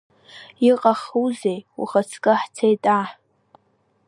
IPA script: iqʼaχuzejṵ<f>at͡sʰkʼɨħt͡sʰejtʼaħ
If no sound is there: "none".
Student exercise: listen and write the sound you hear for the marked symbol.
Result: χ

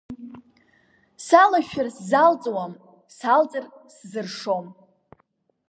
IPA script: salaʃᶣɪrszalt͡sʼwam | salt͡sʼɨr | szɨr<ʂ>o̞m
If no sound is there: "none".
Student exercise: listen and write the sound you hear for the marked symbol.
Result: ʂ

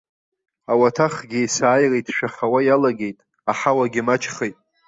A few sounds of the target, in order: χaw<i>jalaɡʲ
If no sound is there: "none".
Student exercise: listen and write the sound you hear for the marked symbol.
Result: a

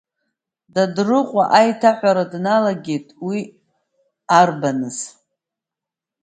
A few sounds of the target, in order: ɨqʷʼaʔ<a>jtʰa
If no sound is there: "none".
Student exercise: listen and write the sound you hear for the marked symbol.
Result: a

